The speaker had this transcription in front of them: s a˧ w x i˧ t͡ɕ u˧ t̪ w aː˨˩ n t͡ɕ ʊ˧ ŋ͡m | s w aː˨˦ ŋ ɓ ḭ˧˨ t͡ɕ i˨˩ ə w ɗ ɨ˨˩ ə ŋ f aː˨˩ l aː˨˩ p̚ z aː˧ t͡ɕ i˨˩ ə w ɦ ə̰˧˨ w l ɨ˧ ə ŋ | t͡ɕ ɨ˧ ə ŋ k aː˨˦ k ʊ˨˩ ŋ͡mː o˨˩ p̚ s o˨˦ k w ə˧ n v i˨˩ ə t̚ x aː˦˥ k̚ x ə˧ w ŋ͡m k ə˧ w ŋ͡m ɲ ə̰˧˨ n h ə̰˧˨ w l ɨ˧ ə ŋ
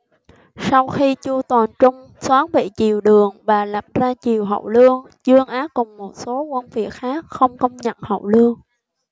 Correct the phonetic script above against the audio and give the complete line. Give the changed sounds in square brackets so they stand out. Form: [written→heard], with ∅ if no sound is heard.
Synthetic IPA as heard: s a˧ w x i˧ t͡ɕ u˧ t̪ w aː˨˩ n t͡ɕ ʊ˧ ŋ͡m | s w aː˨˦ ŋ ɓ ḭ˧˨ t͡ɕ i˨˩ ə w ɗ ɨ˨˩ ə ŋ [f→v] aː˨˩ l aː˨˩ p̚ z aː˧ t͡ɕ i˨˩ ə w ɦ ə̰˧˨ w l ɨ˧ ə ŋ | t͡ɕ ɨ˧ ə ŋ [k→ʔ] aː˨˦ k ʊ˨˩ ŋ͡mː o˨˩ [p̚→t̚] s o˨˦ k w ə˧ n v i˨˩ ə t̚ x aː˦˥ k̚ x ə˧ w ŋ͡m k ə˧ w ŋ͡m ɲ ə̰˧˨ n h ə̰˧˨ w l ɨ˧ ə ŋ

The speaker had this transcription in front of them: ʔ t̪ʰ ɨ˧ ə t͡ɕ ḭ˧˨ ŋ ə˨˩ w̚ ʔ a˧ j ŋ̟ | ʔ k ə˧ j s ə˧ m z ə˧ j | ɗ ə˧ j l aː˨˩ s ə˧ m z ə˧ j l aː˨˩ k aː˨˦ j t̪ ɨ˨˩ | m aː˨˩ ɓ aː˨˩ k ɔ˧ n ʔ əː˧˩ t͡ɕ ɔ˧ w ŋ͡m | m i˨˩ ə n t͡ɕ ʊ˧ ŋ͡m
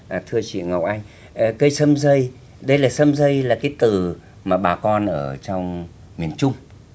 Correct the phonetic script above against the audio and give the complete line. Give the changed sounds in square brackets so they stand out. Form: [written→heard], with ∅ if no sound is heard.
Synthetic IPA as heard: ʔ t̪ʰ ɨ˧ ə t͡ɕ ḭ˧˨ ŋ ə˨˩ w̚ ʔ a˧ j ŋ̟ | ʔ k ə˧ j s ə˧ m z ə˧ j | ɗ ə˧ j l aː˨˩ s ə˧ m z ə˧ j l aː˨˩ k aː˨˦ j t̪ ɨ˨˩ | m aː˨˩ ɓ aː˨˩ k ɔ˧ n ʔ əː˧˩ t͡ɕ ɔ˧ w ŋ͡m | m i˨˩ ə n t͡ɕ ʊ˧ ŋ͡m

